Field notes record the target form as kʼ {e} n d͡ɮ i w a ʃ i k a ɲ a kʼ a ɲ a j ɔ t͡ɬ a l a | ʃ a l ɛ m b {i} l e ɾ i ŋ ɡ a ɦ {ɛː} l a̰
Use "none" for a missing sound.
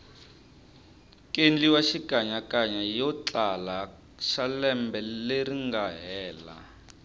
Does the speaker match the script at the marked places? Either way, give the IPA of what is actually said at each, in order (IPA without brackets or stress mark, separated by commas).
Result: e, ɛ, ɛː